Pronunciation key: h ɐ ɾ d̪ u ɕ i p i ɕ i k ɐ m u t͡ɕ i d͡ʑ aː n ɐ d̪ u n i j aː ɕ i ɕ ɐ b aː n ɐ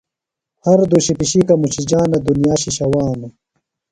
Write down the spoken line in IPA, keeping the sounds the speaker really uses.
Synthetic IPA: h ɐ ɾ d̪ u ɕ i p i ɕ i k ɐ m u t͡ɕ i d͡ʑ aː n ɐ d̪ u n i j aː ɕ i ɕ ɐ w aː n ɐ